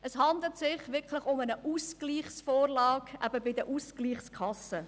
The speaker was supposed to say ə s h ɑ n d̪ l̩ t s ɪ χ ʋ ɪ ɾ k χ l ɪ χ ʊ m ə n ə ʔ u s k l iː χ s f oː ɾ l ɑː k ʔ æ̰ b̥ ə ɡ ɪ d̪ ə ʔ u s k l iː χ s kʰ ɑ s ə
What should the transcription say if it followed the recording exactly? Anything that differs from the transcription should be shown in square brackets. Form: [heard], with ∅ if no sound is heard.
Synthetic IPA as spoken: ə s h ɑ n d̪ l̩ t s ɪ χ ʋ ɪ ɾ k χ l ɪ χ ʊ m ə n ə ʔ u s k l iː χ s f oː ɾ l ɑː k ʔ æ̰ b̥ ə [b] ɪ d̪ ə ʔ u s k l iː χ s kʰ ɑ s ə

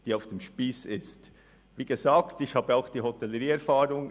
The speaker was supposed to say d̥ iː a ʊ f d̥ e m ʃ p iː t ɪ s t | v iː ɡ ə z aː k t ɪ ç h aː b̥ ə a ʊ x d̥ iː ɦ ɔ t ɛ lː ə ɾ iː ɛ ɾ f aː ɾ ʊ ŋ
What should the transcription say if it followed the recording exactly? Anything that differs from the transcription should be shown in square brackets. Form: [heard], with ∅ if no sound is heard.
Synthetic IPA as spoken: d̥ iː a ʊ f d̥ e m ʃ p iː [s] ɪ s t | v iː ɡ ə z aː k t ɪ ç h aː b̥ ə a ʊ x d̥ iː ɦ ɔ t ɛ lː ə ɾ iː ɛ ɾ f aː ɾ ʊ ŋ

